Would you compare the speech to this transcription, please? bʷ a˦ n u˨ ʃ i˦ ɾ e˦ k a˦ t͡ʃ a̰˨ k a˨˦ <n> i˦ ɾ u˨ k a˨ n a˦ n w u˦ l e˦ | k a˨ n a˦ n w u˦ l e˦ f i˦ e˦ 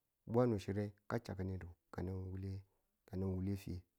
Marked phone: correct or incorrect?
correct